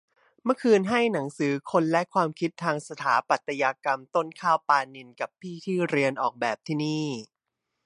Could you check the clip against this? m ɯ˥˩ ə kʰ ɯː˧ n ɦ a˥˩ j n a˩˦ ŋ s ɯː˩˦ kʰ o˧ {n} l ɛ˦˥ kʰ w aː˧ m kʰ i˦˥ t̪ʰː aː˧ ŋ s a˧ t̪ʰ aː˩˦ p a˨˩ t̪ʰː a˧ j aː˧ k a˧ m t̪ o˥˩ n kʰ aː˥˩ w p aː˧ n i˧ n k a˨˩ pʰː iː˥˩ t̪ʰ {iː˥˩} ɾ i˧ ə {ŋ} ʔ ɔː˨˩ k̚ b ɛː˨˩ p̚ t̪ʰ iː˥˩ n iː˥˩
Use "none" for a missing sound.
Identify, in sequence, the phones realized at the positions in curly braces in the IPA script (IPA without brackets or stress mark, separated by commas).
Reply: n, iː˥˩, n